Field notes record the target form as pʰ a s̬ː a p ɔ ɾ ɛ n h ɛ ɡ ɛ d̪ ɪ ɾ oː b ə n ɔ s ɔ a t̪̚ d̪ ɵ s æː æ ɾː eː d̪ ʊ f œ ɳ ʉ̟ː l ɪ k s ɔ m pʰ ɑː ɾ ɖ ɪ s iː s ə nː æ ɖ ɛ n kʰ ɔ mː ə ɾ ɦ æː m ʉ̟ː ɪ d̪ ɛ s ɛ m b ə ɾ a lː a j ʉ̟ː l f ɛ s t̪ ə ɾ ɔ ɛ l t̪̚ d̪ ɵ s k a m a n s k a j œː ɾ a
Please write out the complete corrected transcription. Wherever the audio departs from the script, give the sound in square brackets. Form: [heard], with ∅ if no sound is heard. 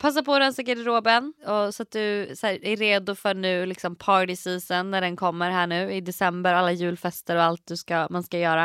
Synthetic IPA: pʰ a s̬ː a p ɔ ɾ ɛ n [s] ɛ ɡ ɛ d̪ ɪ ɾ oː b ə n ɔ s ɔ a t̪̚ d̪ ɵ s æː æ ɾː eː d̪ ʊ f œ ɳ ʉ̟ː l ɪ k s ɔ m pʰ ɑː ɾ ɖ ɪ s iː s ə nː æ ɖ ɛ n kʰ ɔ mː ə ɾ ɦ æː [ɳ] ʉ̟ː ɪ d̪ ɛ s ɛ m b ə ɾ a lː a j ʉ̟ː l f ɛ s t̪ ə ɾ ɔ [a] l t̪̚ d̪ ɵ s k a m a n s k a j œː ɾ a